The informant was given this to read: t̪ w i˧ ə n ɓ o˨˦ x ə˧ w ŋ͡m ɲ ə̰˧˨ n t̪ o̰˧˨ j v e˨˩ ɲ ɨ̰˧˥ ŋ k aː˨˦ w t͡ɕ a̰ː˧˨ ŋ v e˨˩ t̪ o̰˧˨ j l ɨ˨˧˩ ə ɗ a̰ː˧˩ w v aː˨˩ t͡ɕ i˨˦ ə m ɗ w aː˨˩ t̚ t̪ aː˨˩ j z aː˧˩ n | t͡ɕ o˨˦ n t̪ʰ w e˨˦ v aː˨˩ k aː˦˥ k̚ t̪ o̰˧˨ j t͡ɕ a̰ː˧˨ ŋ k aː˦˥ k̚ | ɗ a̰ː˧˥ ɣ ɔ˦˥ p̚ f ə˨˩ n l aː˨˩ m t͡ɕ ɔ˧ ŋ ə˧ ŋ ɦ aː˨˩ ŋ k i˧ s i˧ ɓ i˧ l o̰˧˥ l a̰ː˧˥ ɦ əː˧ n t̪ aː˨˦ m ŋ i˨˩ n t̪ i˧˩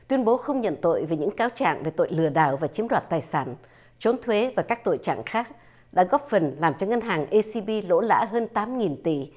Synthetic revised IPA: t̪ w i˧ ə n ɓ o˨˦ x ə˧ w ŋ͡m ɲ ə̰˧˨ n t̪ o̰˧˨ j v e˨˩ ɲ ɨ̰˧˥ ŋ k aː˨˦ w t͡ɕ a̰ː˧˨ ŋ v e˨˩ t̪ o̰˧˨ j l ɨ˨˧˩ ə ɗ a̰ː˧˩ w v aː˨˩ t͡ɕ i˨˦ ə m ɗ w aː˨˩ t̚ t̪ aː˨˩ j s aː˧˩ n | t͡ɕ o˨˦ n t̪ʰ w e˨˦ v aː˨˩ k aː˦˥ k̚ t̪ o̰˧˨ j t͡ɕ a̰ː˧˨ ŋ x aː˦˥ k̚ | ɗ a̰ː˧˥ ɣ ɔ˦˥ p̚ f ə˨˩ n l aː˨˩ m t͡ɕ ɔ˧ ŋ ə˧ n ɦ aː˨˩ ŋ ʔ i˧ s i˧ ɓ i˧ l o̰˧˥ l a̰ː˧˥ ɦ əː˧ n t̪ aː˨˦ m ŋ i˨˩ n t̪ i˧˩